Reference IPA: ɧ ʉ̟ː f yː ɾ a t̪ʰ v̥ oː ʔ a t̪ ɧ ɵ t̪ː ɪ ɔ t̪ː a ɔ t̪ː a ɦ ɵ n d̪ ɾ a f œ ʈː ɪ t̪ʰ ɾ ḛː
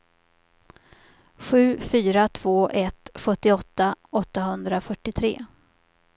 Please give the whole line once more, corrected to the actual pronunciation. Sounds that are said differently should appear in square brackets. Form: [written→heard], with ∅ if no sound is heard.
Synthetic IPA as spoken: ɧ ʉ̟ː f yː ɾ a t̪ʰ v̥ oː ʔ [a→ɛ] t̪ ɧ ɵ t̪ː ɪ ɔ t̪ː a ɔ t̪ː a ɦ ɵ n d̪ ɾ a f œ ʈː ɪ t̪ʰ ɾ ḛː